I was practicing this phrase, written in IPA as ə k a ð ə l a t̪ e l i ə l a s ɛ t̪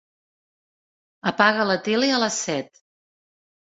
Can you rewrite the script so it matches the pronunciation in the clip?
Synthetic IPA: ə p a ɣ ə l ə t̪ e l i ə l ə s ɛ t̪